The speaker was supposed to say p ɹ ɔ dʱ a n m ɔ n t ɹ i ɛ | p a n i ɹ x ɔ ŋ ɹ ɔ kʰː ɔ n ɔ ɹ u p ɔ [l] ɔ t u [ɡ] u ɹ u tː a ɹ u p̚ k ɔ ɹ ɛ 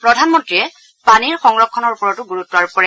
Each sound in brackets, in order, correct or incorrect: incorrect: ɹ, correct

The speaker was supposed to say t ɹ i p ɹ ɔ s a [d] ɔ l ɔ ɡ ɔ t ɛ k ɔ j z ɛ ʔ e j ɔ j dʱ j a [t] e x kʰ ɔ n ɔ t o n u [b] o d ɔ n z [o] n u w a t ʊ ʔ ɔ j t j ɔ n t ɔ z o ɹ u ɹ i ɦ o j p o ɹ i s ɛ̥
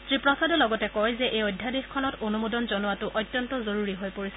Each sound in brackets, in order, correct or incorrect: correct, incorrect: d, incorrect: m, incorrect: ɔ

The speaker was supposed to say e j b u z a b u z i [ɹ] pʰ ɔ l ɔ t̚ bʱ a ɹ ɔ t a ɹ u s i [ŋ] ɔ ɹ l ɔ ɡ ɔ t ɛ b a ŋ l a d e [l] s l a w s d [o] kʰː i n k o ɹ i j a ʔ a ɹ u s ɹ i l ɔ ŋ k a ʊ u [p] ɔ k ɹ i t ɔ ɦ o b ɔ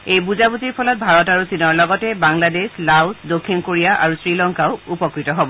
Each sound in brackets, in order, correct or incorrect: correct, incorrect: n, incorrect: none, correct, correct

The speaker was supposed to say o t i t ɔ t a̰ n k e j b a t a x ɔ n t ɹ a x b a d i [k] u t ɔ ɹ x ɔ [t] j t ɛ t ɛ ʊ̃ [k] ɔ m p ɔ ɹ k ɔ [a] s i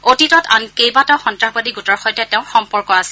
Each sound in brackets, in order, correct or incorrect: incorrect: ɡ, incorrect: none, incorrect: x, correct

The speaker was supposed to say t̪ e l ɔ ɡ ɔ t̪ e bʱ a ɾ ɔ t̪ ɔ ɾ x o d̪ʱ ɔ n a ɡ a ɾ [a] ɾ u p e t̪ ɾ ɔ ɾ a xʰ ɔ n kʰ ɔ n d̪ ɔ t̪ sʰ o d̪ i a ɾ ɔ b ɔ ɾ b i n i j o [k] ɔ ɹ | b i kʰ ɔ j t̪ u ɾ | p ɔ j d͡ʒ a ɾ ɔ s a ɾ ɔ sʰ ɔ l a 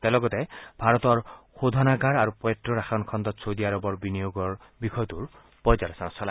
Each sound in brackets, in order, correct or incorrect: correct, incorrect: ɡ

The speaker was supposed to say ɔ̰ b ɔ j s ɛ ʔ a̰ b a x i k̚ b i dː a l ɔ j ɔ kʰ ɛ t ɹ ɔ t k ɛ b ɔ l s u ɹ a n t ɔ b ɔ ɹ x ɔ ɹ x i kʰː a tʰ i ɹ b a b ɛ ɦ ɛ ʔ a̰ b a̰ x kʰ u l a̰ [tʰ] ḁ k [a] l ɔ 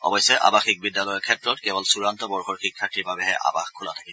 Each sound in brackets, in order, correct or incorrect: correct, incorrect: i

